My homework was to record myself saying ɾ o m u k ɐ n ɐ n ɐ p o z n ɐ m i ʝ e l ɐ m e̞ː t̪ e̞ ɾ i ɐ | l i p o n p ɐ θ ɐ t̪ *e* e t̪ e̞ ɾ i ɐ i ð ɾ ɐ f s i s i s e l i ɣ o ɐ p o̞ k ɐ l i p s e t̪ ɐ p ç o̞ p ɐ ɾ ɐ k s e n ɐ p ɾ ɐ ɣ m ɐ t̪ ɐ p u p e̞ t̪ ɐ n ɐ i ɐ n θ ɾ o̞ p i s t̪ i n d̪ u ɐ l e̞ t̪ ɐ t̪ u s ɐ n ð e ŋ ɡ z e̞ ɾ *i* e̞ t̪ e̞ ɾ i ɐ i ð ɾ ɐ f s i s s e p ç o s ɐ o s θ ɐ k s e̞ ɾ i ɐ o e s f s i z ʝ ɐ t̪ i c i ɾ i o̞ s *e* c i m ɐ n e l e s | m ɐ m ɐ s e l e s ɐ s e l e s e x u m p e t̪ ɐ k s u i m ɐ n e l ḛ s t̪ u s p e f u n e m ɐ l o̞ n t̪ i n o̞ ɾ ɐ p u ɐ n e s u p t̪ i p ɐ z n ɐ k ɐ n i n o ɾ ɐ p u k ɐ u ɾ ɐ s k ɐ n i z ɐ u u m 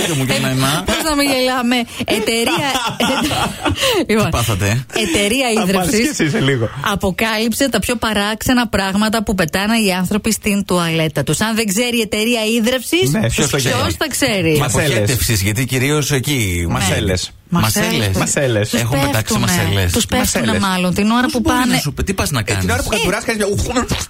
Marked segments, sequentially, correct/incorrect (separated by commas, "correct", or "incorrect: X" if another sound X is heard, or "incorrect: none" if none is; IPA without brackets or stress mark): correct, correct, correct